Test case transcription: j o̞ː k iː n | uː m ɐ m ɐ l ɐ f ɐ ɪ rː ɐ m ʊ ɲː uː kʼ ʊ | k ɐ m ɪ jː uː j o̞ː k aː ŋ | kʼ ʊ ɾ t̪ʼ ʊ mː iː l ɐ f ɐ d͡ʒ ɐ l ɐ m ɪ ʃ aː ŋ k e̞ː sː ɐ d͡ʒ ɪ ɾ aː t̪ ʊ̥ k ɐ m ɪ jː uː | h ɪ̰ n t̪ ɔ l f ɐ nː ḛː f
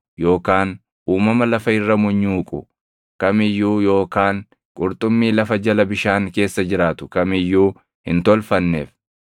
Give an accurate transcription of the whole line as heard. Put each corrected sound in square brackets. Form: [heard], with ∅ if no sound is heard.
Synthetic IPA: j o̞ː k [aː] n | uː m ɐ m ɐ l ɐ f ɐ ɪ rː ɐ m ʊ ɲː uː kʼ ʊ | k ɐ m ɪ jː uː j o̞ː k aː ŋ | kʼ ʊ ɾ t̪ʼ ʊ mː iː l ɐ f ɐ d͡ʒ ɐ l ɐ [b] ɪ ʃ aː ŋ k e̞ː sː ɐ d͡ʒ ɪ ɾ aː t̪ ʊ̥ k ɐ m ɪ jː uː | h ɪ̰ n t̪ ɔ l f ɐ nː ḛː f